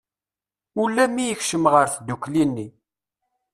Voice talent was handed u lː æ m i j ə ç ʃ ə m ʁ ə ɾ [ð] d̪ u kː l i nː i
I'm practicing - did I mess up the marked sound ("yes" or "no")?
yes